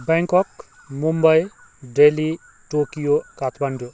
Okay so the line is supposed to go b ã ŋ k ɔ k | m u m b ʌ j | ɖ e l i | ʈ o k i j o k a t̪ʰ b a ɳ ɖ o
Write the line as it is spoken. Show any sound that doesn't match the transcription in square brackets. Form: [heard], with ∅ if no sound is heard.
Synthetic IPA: b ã ŋ k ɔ k | m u m b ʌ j | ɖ e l i | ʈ o k i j o k a t̪ʰ b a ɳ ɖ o